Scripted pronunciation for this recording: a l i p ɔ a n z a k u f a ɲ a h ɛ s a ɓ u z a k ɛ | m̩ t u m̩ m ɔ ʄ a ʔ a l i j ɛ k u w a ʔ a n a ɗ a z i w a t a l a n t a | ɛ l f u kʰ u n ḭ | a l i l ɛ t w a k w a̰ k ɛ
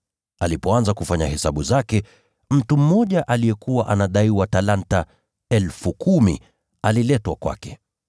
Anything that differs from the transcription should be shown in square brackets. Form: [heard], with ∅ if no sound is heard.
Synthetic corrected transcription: a l i p ɔ a n z a k u f a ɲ a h ɛ s a ɓ u z a k ɛ | m̩ t u m̩ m ɔ ʄ a ʔ a l i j ɛ k u w a ʔ a n a ɗ a [∅] i w a t a l a n t a | ɛ l f u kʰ u [m] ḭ | a l i l ɛ t w a k w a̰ k ɛ